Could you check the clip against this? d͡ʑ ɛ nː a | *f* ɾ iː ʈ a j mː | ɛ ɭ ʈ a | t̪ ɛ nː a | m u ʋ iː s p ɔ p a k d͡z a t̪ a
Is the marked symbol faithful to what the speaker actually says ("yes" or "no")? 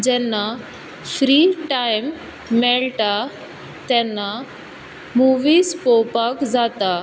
yes